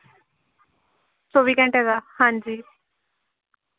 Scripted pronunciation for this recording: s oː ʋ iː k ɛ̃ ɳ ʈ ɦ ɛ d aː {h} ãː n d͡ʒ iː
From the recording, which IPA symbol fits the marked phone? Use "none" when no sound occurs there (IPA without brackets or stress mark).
h